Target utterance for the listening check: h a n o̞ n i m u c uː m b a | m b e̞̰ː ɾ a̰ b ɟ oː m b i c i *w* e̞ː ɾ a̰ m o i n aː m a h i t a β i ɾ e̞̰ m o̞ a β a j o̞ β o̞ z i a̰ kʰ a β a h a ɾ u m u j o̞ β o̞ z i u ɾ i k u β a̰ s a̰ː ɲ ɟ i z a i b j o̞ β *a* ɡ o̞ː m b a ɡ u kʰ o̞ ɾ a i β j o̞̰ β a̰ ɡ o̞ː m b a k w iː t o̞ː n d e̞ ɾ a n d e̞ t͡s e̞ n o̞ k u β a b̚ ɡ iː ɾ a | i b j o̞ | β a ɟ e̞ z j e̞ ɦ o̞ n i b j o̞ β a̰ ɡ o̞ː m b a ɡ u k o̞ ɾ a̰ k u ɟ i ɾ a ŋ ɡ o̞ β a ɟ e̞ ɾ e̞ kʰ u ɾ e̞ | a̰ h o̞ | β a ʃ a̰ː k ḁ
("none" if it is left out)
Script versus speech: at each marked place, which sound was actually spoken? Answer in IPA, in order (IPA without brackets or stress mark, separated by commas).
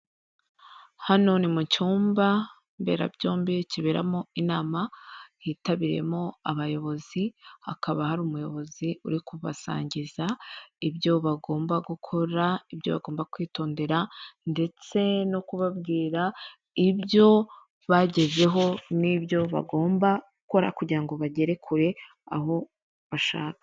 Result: β, a